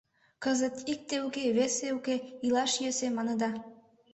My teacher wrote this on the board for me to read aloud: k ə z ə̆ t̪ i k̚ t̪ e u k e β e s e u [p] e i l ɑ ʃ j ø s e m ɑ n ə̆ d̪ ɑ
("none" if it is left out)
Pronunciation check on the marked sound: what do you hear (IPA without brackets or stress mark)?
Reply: k